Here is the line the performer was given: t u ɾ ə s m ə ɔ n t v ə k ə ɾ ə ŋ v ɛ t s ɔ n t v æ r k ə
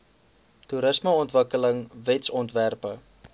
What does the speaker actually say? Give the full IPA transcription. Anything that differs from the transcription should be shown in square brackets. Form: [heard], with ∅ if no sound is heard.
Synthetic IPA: t u ɾ ə s m ə ɔ n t v ə k ə [l] ə ŋ v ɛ t s ɔ n t v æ r [p] ə